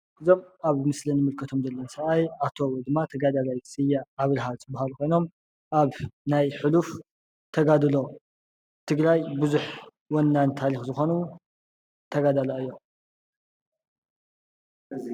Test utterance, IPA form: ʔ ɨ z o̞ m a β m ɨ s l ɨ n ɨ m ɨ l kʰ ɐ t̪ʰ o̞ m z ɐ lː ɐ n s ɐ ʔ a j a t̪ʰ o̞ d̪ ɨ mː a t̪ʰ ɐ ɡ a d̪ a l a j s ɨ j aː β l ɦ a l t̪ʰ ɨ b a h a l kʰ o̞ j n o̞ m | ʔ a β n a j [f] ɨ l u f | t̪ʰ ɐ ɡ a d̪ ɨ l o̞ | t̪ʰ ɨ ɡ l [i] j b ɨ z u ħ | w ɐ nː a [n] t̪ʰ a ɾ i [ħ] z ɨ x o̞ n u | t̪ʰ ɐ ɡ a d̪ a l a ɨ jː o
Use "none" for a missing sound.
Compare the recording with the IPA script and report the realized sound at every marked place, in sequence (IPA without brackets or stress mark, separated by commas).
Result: ħ, a, n, x